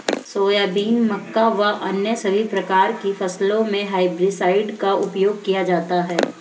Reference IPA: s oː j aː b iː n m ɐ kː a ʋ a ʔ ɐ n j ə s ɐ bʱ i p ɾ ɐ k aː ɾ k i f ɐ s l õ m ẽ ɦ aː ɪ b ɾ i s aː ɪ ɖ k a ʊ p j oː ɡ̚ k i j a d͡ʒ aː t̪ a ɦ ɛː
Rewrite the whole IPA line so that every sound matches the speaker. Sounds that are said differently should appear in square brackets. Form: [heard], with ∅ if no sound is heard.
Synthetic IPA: s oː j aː b iː n m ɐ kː a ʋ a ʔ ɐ n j ə s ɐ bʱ i p ɾ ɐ k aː ɾ k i f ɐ s l õ m ẽ ɦ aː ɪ b ɾ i s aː ɪ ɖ k a ʊ p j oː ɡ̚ k i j a d͡ʒ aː t̪ a ɦ ɛː